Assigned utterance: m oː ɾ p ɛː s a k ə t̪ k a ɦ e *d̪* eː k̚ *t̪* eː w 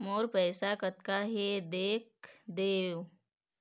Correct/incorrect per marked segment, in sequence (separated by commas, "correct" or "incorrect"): correct, incorrect